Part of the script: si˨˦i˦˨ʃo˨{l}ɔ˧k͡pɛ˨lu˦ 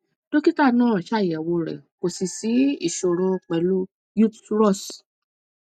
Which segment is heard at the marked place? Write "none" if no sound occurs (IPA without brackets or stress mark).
ɾ